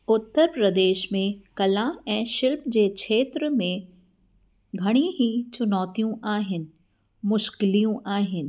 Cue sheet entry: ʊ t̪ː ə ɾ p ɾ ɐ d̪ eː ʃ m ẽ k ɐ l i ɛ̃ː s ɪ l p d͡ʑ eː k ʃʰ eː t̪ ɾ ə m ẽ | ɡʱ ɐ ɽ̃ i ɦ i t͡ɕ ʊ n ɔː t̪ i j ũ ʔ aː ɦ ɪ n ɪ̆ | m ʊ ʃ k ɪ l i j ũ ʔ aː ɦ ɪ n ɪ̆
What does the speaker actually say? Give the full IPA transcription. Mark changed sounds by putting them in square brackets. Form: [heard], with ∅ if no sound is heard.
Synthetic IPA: ʊ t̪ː ə ɾ p ɾ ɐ d̪ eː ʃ m ẽ k ɐ l [a] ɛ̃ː [ʃ] ɪ l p d͡ʑ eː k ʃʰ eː t̪ ɾ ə m ẽ | ɡʱ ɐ ɽ̃ i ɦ i t͡ɕ ʊ n ɔː t̪ i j ũ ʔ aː ɦ ɪ n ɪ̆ | m ʊ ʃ k ɪ l i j ũ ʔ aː ɦ ɪ n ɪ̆